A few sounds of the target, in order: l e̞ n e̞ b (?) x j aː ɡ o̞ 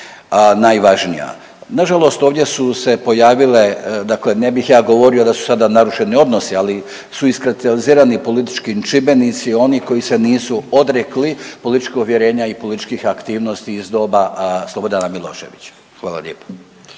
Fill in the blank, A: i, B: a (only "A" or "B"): A